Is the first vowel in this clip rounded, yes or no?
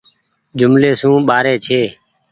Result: yes